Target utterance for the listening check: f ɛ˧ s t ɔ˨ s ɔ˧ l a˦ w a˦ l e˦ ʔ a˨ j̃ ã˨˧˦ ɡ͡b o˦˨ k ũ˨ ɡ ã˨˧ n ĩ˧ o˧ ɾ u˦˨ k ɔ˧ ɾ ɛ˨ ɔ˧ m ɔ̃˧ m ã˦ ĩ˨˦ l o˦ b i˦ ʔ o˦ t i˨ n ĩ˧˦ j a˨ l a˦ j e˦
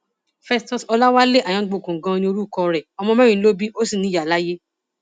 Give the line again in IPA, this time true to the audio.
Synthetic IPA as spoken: f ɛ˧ s t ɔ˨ s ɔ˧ l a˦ w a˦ l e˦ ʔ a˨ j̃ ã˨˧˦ ɡ͡b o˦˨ k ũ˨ ɡ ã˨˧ n ĩ˧ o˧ ɾ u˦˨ k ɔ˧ ɾ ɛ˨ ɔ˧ m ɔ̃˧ m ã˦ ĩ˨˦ l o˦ b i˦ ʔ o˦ s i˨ n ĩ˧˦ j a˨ l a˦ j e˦

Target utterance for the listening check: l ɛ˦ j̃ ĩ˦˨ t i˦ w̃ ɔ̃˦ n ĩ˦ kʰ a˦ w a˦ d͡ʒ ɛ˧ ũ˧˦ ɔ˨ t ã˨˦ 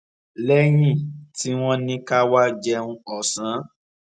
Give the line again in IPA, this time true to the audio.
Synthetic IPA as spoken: l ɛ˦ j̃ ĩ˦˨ t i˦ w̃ ɔ̃˦ n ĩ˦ k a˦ w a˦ d͡ʒ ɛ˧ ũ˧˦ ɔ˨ s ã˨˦

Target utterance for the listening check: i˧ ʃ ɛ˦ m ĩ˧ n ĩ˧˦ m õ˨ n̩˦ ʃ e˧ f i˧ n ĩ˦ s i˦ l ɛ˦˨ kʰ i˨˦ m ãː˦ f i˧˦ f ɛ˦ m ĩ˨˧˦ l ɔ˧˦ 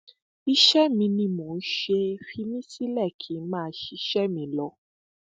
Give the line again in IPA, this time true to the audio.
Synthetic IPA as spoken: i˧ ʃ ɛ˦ m ĩ˧ n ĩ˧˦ m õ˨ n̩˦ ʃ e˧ f i˧ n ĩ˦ s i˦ l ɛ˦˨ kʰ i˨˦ m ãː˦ ʃ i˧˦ ʃ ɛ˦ m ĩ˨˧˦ l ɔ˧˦

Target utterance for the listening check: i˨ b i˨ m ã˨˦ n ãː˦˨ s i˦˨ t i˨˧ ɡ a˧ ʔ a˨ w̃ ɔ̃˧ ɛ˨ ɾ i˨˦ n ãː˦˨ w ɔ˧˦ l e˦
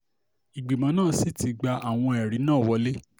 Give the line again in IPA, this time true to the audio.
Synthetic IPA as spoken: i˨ ɡ͡b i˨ m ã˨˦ n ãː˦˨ s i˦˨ t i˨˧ ɡ͡b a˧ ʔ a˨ w̃ ɔ̃˧ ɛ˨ ɾ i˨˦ n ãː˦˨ w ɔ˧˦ l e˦

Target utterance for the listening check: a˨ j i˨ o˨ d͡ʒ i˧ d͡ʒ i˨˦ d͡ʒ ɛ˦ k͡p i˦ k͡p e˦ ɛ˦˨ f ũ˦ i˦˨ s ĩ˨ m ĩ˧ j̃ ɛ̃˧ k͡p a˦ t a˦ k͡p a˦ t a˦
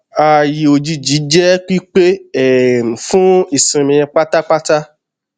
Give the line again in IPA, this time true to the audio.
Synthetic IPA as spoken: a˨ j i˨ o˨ d͡ʒ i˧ d͡ʒ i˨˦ d͡ʒ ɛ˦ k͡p i˦ k͡p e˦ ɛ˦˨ f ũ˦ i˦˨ s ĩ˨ m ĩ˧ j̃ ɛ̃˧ k͡p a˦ t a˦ k͡p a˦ t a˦

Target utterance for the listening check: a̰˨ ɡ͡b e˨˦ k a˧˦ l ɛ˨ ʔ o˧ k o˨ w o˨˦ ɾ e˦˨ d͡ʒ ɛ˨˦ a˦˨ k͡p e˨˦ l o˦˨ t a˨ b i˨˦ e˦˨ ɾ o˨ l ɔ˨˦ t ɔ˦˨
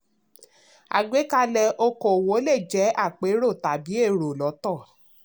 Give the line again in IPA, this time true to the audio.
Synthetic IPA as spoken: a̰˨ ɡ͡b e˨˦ k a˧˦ l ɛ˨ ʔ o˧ k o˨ w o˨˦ l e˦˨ d͡ʒ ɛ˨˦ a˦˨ k͡p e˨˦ ɾ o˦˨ t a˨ b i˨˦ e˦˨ ɾ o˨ l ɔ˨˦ t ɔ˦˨

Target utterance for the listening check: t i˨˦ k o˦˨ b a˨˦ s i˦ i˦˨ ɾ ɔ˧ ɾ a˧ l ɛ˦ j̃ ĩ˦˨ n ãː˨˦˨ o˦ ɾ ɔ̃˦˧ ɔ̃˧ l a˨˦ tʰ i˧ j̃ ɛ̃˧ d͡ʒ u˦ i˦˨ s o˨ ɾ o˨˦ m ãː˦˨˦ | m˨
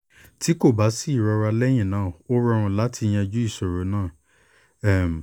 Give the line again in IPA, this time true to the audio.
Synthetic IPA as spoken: t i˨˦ k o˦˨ b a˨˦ s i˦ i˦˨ ɾ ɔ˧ ɾ a˧ l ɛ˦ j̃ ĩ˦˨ n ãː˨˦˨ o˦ ɾ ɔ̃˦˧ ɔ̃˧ l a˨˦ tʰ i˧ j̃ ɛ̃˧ d͡ʒ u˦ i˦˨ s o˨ ɾ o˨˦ n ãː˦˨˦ | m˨

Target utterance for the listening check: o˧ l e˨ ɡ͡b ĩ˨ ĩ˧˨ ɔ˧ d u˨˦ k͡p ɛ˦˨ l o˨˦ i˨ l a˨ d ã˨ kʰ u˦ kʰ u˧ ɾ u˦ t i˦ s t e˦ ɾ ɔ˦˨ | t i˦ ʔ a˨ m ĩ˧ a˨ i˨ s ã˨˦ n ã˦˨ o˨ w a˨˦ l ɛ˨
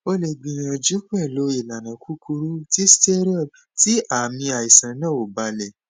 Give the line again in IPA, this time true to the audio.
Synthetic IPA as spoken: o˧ l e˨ ɡ͡b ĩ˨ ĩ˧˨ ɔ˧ d͡ʒ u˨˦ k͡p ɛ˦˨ l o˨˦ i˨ l a˨ n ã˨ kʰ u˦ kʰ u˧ ɾ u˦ t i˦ s t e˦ ɾ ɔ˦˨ | t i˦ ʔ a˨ m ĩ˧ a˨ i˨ s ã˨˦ n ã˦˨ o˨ b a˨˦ l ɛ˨

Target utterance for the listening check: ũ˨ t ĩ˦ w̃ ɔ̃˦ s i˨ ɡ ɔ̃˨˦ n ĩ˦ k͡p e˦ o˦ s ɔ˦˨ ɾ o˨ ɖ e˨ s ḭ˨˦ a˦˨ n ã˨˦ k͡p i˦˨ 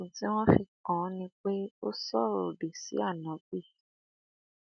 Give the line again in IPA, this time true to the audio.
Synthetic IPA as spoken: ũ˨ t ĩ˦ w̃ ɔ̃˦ f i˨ k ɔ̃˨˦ n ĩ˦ k͡p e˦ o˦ s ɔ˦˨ ɾ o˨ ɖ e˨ s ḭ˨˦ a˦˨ n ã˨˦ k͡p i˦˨

